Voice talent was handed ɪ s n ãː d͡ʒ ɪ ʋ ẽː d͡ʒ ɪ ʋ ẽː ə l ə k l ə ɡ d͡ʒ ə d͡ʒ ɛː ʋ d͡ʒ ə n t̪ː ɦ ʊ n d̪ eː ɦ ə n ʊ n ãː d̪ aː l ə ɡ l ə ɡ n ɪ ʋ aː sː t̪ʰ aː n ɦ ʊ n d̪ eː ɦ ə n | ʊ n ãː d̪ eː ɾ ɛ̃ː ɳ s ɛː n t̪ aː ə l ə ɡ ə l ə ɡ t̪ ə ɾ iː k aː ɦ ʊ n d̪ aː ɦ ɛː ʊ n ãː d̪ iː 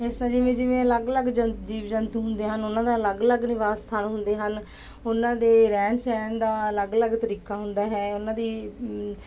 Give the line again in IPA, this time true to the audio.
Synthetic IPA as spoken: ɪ s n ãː d͡ʒ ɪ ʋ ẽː d͡ʒ ɪ ʋ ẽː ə l ə ɡ l ə ɡ d͡ʒ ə d͡ʒ iː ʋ d͡ʒ ə n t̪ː ɦ ʊ n d̪ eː ɦ ə n ʊ n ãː d̪ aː l ə ɡ l ə ɡ n ɪ ʋ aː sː t̪ʰ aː n ɦ ʊ n d̪ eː ɦ ə n | ʊ n ãː d̪ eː ɾ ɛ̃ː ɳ s ɛː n d̪ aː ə l ə ɡ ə l ə ɡ t̪ ə ɾ iː k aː ɦ ʊ n d̪ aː ɦ ɛː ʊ n ãː d̪ iː